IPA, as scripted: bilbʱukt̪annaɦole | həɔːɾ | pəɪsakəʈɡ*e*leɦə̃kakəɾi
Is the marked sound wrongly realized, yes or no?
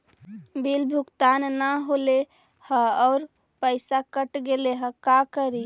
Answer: no